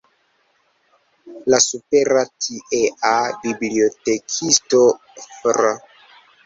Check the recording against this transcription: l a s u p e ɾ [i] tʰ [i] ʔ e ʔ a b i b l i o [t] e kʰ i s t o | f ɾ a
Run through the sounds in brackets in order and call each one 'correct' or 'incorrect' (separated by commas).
incorrect, correct, correct